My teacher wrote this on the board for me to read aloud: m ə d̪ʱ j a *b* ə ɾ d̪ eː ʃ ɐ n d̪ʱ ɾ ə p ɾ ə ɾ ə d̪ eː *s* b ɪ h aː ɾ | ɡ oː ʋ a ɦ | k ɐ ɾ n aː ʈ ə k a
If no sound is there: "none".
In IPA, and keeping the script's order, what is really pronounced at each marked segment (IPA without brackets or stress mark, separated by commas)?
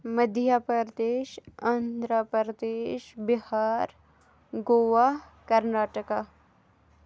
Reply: p, ʃ